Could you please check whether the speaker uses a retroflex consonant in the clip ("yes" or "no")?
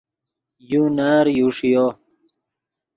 yes